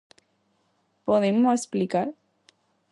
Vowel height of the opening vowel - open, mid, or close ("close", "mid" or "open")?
mid